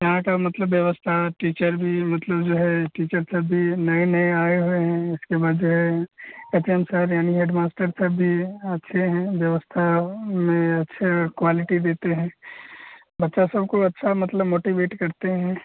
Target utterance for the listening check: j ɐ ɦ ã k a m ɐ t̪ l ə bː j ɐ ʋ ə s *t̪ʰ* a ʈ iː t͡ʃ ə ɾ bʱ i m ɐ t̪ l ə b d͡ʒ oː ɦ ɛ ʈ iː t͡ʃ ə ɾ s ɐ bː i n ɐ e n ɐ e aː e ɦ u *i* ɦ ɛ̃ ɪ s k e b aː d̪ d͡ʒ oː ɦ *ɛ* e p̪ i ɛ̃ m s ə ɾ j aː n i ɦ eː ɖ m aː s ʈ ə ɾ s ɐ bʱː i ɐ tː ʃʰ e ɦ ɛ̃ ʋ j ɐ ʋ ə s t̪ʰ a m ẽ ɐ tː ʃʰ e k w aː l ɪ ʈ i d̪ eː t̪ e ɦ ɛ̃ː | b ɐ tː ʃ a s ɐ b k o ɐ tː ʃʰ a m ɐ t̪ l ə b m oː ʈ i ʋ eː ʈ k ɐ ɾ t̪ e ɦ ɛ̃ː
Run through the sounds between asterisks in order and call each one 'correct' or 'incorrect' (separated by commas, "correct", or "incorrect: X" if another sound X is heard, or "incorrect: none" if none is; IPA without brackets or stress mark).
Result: correct, incorrect: e, correct